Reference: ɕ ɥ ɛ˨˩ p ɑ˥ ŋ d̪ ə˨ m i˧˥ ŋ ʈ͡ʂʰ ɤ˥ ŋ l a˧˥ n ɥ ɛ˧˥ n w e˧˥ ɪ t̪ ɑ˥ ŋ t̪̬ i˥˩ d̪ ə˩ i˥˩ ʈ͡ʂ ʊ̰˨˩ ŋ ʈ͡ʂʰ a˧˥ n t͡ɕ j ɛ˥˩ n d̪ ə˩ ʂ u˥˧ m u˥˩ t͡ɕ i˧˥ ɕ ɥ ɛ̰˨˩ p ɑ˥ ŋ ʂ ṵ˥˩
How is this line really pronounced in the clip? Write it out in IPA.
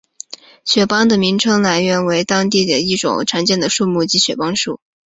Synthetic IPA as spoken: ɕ ɥ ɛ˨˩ p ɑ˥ ŋ d̪ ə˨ m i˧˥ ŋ ʈ͡ʂʰ ɤ˥ ŋ l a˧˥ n ɥ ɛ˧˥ n w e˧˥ ɪ t̪ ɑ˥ ŋ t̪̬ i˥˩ d̪ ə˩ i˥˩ ʈ͡ʂ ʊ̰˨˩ ŋ ʈ͡ʂʰ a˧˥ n t͡ɕ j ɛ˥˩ n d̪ ə˩ ʂ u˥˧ m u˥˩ t͡ɕ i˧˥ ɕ ɥ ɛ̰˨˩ p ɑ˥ ŋ ʂ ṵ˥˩